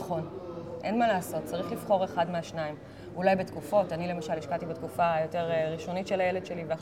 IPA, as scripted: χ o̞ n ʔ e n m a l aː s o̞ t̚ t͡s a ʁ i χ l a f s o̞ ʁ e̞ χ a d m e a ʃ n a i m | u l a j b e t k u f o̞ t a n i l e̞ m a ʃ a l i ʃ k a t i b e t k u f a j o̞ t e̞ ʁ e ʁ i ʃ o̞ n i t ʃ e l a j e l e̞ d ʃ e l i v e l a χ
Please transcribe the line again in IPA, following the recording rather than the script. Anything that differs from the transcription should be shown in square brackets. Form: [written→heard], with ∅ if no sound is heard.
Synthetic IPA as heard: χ o̞ n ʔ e n m a l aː s o̞ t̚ t͡s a ʁ i χ l [a→i] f [s→χ] o̞ ʁ e̞ χ a d m e a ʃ n a i m | u l a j b e t k u f o̞ t a n i l e̞ m a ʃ a l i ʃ k a t i b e t k u f a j o̞ t e̞ ʁ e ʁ i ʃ o̞ n i t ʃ e l a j e l e̞ d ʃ e l i v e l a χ